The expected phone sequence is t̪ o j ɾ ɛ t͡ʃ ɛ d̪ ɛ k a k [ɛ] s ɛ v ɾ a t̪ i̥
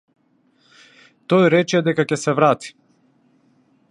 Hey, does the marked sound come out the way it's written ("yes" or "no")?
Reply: yes